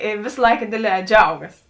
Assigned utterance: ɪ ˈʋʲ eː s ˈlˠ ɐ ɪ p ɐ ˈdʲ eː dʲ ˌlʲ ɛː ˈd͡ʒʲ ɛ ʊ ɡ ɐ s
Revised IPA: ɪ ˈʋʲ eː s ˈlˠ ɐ ɪ k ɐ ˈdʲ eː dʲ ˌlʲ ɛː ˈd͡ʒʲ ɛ ʊ ɡ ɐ s